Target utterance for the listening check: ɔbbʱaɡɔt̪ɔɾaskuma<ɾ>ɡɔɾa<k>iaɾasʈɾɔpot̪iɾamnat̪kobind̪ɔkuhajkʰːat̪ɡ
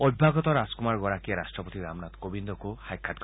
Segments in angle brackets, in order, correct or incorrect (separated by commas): correct, correct